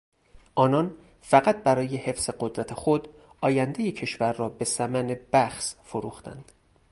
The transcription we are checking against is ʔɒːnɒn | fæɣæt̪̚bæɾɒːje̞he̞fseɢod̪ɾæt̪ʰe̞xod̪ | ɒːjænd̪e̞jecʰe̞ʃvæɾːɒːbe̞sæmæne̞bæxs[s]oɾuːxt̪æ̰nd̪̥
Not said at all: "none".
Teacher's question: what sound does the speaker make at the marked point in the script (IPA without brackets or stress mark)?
f